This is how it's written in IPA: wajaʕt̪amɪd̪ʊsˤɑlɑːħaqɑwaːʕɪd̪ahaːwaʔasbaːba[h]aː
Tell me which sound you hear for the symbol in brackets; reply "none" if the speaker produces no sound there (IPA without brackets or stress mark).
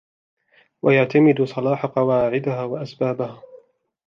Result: h